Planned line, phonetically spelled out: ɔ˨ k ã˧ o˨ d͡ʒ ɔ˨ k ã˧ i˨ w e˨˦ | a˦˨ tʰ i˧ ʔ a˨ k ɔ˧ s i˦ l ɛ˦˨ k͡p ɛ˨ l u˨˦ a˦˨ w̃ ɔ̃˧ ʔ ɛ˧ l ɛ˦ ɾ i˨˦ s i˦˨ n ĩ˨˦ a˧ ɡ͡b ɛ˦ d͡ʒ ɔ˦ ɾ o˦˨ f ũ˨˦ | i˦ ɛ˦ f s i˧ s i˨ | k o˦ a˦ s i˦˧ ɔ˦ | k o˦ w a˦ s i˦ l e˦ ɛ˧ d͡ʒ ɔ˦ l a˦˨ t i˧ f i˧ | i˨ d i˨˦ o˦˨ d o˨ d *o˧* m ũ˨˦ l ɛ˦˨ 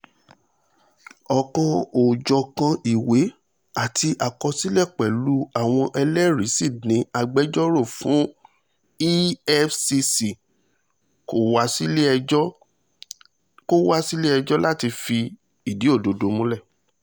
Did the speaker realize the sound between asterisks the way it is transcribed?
yes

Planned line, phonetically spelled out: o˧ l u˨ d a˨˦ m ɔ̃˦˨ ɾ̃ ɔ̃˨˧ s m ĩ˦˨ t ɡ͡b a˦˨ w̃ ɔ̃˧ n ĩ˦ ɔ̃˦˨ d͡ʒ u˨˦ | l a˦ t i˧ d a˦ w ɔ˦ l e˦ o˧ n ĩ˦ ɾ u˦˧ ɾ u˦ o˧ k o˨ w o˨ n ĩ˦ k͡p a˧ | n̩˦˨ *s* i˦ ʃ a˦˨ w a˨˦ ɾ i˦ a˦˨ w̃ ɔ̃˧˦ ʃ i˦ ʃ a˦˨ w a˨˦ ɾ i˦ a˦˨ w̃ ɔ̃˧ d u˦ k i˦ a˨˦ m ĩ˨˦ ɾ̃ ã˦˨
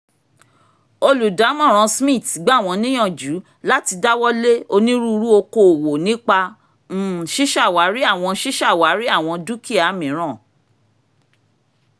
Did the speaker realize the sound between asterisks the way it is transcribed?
no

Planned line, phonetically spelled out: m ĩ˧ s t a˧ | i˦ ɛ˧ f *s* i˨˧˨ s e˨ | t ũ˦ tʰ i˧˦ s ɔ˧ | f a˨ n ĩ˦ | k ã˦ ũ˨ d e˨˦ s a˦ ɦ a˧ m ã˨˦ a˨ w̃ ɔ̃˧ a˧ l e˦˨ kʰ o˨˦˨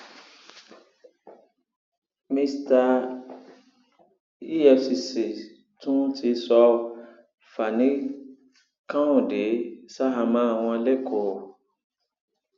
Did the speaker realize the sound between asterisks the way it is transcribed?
yes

